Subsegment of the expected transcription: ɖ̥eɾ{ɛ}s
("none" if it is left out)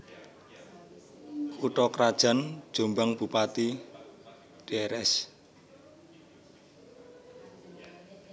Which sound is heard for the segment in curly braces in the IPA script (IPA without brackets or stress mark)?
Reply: ɛ